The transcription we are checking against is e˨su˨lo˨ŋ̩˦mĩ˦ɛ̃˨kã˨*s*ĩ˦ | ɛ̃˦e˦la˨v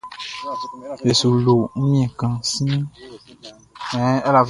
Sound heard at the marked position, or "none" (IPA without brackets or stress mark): s